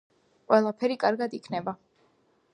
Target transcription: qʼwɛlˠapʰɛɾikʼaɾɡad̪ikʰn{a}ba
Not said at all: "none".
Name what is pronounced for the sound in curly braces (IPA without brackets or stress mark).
ɛ